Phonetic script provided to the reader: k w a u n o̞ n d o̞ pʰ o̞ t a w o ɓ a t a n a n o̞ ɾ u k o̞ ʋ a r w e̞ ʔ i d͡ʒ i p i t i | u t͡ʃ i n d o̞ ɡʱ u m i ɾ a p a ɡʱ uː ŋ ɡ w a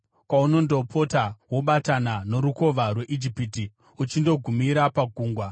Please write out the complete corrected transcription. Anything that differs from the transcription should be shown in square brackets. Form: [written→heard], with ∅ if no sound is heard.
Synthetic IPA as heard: k w a u n o̞ n d o̞ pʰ o̞ t a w o ɓ a t a n a n o̞ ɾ u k o̞ ʋ a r w e̞ ʔ i d͡ʒ i p i t i | u t͡ʃ i n d o̞ ɡʱ u m i ɾ a p a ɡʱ uː ŋ ɡ w a